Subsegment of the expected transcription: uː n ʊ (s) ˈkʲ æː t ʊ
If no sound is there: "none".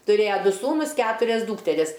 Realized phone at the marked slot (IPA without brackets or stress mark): s